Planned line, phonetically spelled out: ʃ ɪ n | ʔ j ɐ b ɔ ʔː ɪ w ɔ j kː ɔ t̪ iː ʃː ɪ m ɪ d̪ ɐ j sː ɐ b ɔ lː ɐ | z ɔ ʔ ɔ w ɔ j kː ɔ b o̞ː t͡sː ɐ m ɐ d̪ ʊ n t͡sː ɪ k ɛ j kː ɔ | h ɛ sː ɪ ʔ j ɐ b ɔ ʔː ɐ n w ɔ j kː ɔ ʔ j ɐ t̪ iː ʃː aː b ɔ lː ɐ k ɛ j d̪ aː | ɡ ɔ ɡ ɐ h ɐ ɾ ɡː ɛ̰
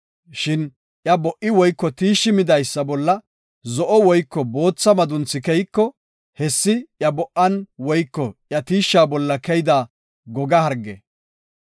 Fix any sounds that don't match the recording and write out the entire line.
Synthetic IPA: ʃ ɪ n | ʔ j ɐ b ɔ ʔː ɪ w ɔ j kː ɔ t̪ iː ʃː ɪ m ɪ d̪ ɐ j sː ɐ b ɔ lː ɐ | z ɔ ʔ ɔ w ɔ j kː ɔ b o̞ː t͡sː ɐ m ɐ d̪ ʊ n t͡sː ɪ k ɛ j kː ɔ | h ɛ sː ɪ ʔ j ɐ b ɔ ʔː ɐ n w ɔ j kː ɔ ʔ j ɐ t̪ iː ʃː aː b ɔ lː ɐ k ɛ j d̪ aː | ɡ ɔ ɡ ɐ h ɐ ɾ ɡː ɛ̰